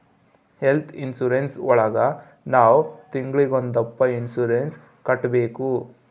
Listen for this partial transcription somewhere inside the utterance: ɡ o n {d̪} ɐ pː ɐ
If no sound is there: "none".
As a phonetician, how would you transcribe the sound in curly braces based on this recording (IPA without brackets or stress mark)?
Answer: d̪